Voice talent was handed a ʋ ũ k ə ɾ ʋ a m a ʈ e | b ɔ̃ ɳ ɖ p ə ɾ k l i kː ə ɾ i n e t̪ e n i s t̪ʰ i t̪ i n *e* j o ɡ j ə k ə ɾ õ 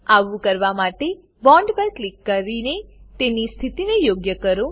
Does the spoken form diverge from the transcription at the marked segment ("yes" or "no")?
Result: no